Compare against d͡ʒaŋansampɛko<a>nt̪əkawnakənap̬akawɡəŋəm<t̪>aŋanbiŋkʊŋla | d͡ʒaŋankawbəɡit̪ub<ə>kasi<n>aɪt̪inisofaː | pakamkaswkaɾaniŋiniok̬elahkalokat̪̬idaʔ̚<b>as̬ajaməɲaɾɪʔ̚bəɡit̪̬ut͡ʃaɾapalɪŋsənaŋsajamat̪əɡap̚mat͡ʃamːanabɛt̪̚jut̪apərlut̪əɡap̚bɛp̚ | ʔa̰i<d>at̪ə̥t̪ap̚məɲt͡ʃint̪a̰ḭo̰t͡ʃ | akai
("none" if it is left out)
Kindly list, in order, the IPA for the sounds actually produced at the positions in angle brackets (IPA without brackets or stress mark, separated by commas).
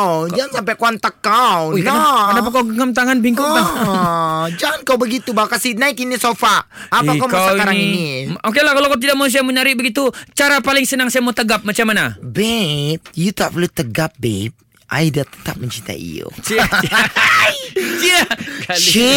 a, t̪, a, n, m, d